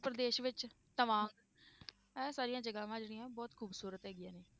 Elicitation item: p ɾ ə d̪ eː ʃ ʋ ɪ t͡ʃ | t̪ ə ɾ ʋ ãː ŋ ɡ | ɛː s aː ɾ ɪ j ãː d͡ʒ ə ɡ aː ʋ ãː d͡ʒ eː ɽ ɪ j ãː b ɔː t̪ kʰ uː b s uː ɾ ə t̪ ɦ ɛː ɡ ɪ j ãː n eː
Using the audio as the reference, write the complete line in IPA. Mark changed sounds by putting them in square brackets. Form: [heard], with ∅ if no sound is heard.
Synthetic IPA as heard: p ɾ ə d̪ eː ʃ ʋ ɪ t͡ʃ | t̪ ə [∅] ʋ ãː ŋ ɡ | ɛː s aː ɾ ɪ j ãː d͡ʒ ə ɡ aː ʋ ãː d͡ʒ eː ɽ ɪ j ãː b ɔː t̪ kʰ uː b s uː ɾ ə t̪ ɦ ɛː ɡ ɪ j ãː n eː